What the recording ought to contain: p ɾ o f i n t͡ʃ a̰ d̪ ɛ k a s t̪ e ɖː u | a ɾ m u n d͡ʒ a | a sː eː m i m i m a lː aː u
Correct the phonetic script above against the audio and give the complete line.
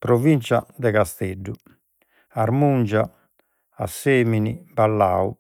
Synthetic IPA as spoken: p ɾ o v i n t͡ʃ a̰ d̪ ɛ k a s t̪ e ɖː u | a ɾ m u n d͡ʒ a | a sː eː m i n i b a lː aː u